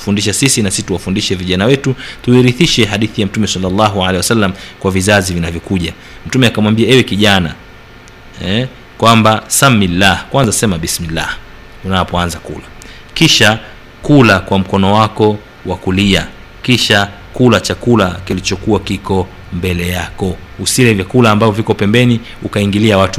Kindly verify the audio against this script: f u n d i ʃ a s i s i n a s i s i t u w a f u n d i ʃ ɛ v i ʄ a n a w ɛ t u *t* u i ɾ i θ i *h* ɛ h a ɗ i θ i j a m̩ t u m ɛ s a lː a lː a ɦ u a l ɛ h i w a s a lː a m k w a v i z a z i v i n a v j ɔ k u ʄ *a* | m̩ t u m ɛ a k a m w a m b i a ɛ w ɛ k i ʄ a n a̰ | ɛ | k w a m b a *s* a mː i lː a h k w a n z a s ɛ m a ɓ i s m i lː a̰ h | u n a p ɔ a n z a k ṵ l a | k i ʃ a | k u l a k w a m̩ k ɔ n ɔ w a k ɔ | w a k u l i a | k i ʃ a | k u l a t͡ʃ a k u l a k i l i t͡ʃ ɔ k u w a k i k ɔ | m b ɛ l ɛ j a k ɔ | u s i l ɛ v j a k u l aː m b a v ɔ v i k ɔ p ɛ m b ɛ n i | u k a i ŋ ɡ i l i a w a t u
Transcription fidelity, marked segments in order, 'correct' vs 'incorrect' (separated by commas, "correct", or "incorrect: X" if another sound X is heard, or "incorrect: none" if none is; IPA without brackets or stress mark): correct, incorrect: ʃ, correct, correct